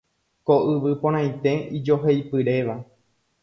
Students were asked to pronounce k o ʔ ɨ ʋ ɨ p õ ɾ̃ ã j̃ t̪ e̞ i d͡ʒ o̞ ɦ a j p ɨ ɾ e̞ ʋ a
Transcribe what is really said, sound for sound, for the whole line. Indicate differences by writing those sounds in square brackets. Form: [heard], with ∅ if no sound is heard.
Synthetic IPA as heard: k o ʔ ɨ ʋ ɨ p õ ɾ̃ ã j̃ t̪ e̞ i d͡ʒ o̞ ɦ [e] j p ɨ ɾ e̞ ʋ a